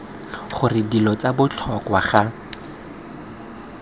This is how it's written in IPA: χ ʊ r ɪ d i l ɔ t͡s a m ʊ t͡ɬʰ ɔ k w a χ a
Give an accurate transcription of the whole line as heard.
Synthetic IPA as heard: χ ʊ r ɪ d i l ɔ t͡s a b ʊ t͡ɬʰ ɔ k w a χ a